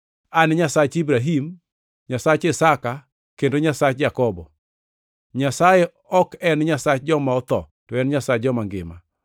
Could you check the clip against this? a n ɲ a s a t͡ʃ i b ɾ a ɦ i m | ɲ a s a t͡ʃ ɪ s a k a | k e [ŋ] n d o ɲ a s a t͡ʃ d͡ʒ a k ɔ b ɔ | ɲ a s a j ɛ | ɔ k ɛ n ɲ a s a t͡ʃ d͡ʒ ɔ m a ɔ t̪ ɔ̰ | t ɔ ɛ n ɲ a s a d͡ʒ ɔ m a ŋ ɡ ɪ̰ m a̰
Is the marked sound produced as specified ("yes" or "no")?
no